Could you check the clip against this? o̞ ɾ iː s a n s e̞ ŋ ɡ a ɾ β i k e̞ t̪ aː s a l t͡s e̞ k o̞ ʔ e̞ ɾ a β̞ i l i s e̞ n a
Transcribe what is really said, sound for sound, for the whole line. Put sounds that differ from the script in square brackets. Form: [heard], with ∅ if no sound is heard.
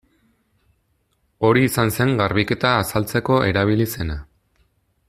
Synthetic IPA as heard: o̞ ɾ iː s a n s e̞ ŋ ɡ a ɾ β i k e̞ t̪ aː s a l t͡s e̞ k o̞ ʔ e̞ ɾ a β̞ i l i s e̞ n a